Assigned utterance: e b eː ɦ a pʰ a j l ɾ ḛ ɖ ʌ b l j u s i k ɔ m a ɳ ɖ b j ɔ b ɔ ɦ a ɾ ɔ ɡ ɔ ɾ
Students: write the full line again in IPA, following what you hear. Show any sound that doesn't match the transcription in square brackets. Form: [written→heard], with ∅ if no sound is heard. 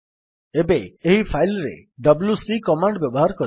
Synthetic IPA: e b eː ɦ [a→i] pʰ a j l ɾ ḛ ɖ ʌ b l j u s i k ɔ m a ɳ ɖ b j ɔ b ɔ ɦ a ɾ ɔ [ɡ→k] ɔ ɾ